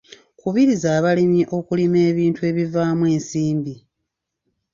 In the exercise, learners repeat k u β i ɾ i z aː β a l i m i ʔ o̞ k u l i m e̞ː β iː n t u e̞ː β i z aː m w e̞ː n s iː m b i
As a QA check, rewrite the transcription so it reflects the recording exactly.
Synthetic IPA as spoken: k u β i ɾ i z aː β a l i m i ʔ o̞ k u l i m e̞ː β iː n t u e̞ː β i v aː m w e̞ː n s iː m b i